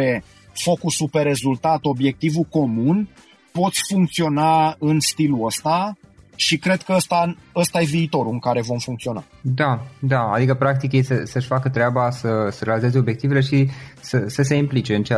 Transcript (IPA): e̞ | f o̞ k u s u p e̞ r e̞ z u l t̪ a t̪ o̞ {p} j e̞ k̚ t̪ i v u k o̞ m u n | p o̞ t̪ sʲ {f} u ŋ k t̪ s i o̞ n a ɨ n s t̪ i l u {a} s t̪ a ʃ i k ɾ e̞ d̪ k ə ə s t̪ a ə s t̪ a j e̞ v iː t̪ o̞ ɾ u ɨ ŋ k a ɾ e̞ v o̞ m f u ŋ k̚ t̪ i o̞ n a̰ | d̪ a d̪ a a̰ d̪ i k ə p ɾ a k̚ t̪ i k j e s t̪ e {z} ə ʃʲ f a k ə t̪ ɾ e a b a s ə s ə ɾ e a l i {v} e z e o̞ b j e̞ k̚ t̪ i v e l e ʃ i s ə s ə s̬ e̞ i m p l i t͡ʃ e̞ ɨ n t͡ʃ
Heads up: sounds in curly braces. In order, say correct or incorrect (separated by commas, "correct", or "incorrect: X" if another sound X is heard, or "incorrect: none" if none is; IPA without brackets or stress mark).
incorrect: b, correct, incorrect: ə, incorrect: s, incorrect: z